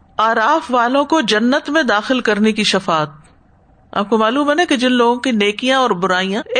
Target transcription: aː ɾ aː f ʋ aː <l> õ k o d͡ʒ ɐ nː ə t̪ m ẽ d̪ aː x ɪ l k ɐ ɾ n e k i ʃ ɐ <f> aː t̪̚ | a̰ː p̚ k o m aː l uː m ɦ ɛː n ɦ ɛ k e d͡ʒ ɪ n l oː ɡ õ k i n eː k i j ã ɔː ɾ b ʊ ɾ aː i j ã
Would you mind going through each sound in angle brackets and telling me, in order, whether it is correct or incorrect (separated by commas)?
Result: correct, correct